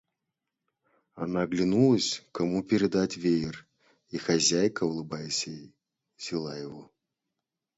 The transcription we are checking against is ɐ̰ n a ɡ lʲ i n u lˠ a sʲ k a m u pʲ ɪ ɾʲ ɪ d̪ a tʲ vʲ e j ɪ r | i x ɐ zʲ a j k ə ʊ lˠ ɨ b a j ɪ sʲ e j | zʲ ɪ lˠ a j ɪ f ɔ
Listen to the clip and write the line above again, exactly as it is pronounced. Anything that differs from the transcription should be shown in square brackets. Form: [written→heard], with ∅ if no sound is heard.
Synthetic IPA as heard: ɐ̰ n a ɡ lʲ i n u lˠ [a→ə] sʲ k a m u pʲ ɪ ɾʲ ɪ d̪ a tʲ vʲ e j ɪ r | i x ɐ zʲ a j k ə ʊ lˠ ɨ b a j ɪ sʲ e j | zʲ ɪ lˠ a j ɪ [f→v] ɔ

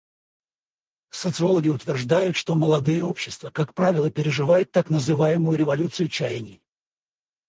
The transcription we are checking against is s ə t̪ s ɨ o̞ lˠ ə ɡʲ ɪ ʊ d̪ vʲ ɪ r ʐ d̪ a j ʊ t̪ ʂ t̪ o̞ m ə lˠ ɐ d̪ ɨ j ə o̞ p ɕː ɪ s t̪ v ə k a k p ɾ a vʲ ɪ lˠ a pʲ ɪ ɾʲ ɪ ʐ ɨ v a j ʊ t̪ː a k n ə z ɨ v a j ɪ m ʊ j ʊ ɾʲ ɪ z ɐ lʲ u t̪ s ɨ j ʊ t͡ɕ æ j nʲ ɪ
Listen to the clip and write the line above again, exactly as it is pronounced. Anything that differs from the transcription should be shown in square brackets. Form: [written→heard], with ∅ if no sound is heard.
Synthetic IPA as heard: s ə t̪ s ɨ o̞ lˠ ə ɡʲ ɪ ʊ [d̪→t̪] vʲ ɪ r ʐ d̪ a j ʊ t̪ ʂ t̪ o̞ m ə lˠ ɐ d̪ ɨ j ə o̞ p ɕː ɪ s t̪ v ə k a k p ɾ a vʲ ɪ lˠ [a→ə] pʲ ɪ ɾʲ ɪ ʐ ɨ v a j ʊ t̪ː a k n ə z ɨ v a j ɪ m ʊ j ʊ ɾʲ ɪ [z→v] ɐ lʲ u t̪ s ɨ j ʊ t͡ɕ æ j nʲ ɪ

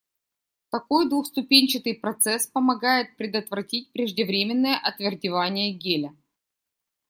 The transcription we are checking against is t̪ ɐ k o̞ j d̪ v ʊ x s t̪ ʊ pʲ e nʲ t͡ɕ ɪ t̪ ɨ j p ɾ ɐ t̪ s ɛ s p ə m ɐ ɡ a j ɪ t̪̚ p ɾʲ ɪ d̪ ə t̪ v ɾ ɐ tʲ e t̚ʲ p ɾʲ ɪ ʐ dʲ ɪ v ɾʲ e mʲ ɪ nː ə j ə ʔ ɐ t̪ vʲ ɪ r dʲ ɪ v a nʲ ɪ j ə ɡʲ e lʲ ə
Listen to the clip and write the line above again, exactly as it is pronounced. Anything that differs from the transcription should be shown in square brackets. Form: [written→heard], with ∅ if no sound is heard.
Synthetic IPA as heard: t̪ ɐ k o̞ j d̪ v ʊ x s t̪ ʊ pʲ e nʲ t͡ɕ ɪ t̪ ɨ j p ɾ ɐ t̪ s ɛ s p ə m ɐ ɡ a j ɪ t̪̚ p ɾʲ ɪ d̪ ə t̪ v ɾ ɐ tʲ [e→i] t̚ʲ p ɾʲ ɪ ʐ dʲ ɪ v ɾʲ e mʲ ɪ nː ə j ə ʔ ɐ t̪ vʲ ɪ r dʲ ɪ v a nʲ ɪ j ə ɡʲ e lʲ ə

